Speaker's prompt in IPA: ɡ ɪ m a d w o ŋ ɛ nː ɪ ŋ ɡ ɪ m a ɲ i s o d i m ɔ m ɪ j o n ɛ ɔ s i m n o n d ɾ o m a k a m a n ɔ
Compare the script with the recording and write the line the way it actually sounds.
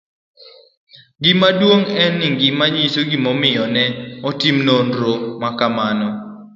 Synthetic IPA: ɡ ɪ m a d w o ŋ ɛ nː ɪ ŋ ɡ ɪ m a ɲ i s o ɡ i m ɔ m ɪ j ɔ n ɛ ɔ t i m n o n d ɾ o m a k a m a n ɔ